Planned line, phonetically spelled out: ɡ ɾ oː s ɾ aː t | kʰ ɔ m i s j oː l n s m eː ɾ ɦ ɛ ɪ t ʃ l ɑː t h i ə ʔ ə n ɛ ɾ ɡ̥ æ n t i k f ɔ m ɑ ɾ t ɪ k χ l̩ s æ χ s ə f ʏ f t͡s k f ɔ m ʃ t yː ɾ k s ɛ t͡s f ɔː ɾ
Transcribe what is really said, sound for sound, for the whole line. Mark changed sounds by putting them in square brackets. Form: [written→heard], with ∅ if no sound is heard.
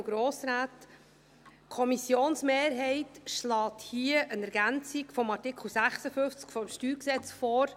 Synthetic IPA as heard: ɡ ɾ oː s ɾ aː t | kʰ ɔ m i s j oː [l→∅] n s m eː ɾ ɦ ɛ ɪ t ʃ l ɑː t h i ə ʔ ə n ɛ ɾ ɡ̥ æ n [t→t͡s] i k f ɔ m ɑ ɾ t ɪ k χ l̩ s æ χ s ə f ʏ f t͡s k f ɔ m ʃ t yː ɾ k s ɛ t͡s f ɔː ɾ